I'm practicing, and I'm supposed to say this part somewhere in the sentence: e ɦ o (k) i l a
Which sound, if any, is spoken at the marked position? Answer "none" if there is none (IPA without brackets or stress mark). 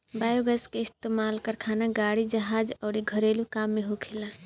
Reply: kʰ